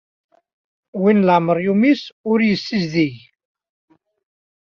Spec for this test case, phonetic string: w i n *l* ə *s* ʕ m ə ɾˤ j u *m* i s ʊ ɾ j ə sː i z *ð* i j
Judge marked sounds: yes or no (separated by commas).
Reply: yes, no, yes, yes